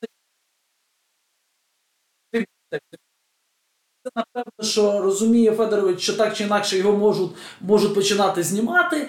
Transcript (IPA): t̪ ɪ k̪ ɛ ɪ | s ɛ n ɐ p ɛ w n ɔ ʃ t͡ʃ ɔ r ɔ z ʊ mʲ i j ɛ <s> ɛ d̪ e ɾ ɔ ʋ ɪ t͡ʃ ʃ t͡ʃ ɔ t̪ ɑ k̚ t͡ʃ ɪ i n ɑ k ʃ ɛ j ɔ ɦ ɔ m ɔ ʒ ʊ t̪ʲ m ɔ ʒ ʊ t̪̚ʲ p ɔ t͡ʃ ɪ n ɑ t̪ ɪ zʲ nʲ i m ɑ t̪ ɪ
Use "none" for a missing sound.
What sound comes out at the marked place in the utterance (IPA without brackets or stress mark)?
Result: f